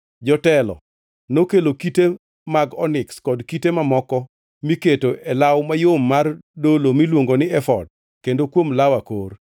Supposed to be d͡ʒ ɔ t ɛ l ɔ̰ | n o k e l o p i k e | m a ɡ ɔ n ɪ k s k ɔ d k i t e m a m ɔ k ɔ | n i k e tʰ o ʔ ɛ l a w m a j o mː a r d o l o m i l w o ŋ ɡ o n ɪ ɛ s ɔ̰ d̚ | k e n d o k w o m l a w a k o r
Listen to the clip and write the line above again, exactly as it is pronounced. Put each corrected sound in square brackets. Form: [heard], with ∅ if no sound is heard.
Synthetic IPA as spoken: d͡ʒ ɔ t ɛ l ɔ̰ | n o k e l o [k] i [t] e | m a ɡ ɔ n ɪ k s k ɔ d k i t e m a m ɔ k ɔ | [m] i k e [t] o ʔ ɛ l a w m a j o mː a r d o l o m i l w o ŋ ɡ o n ɪ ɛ [f] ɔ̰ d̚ | k e n d o k w o m l a w a k o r